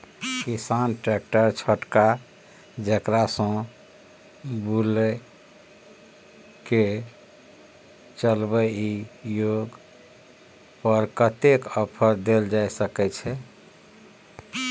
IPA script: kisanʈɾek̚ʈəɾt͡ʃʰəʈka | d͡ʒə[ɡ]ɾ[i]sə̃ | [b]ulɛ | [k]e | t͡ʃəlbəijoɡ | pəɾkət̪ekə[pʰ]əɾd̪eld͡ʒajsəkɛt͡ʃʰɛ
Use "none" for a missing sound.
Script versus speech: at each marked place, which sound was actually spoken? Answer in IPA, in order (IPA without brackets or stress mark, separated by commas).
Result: k, a, b, k, pʰ